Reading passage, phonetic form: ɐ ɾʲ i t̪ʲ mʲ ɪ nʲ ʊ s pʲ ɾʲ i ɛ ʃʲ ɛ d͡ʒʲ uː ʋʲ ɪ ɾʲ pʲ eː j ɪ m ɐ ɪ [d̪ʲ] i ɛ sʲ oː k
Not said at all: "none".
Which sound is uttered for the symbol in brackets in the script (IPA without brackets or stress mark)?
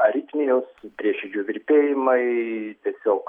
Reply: t̪ʲ